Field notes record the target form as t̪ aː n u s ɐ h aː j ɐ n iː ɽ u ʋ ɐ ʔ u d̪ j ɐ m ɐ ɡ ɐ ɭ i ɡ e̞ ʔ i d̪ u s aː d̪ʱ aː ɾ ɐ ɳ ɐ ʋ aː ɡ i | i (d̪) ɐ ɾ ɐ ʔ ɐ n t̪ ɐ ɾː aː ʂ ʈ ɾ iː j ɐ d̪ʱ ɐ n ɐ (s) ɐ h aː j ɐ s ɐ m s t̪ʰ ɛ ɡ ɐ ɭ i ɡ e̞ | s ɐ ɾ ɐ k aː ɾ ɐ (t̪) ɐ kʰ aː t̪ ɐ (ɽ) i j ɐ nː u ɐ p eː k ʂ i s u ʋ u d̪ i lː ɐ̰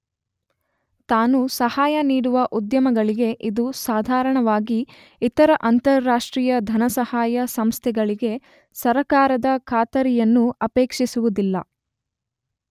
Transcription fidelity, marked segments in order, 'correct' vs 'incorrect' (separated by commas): incorrect, correct, incorrect, incorrect